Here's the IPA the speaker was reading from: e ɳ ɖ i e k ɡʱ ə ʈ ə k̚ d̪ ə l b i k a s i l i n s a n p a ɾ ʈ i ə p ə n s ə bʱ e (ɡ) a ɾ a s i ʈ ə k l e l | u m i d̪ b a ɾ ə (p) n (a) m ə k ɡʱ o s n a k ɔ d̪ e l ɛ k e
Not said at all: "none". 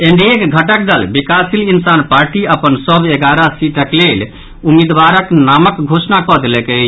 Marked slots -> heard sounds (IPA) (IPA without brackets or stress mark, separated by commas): ɡ, k, a